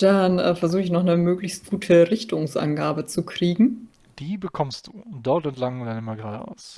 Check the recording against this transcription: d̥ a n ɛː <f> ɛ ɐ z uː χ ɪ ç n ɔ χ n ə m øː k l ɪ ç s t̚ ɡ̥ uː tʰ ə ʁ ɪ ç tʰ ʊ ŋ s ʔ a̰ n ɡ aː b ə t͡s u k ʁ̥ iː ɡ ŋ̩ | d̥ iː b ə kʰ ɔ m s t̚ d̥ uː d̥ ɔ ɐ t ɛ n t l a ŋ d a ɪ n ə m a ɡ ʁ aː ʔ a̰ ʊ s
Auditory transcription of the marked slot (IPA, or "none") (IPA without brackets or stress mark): f